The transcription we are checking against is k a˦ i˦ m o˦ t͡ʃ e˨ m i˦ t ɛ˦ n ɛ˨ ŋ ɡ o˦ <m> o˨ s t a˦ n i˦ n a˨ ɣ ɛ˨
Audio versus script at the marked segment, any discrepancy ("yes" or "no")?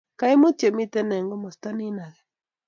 no